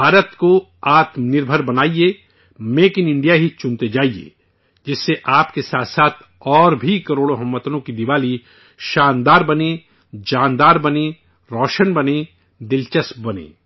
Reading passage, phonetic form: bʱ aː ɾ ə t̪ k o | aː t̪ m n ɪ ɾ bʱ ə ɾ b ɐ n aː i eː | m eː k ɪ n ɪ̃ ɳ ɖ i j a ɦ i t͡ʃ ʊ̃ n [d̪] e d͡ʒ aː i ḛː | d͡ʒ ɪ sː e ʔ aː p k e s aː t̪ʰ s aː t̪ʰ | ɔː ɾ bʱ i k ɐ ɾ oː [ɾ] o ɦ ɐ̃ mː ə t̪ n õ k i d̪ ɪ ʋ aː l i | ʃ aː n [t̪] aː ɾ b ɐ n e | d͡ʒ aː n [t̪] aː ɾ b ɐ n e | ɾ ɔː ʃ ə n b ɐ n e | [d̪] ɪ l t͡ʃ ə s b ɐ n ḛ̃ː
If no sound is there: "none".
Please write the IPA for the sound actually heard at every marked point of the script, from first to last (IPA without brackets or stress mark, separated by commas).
t̪, ɽ, d̪, d̪, d̪